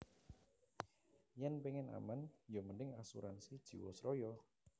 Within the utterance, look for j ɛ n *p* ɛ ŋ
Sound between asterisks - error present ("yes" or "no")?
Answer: no